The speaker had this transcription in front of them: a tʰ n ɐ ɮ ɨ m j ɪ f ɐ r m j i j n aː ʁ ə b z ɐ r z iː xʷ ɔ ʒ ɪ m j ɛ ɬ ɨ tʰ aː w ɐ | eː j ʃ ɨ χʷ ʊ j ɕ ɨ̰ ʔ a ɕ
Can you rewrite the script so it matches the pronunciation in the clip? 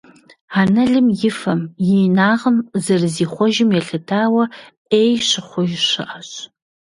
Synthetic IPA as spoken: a n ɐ ɮ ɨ m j ɪ f ɐ m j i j n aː ʁ ə m z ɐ r z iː χʷ ɔ ʒ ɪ m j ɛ ɬ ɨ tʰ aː w ɐ | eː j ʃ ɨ χʷ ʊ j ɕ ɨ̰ ʔ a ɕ

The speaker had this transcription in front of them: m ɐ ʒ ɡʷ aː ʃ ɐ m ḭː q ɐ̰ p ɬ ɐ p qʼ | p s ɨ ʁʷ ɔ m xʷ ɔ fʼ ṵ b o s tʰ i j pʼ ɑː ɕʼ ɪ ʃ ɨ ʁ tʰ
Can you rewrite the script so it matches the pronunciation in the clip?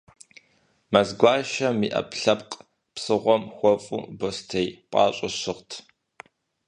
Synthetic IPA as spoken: m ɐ z ɡʷ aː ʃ ɐ m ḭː ʔ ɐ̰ p ɬ ɐ p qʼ | p s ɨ ʁʷ ɔ m xʷ ɔ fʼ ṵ b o s tʰ e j pʼ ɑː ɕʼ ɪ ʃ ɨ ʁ tʰ

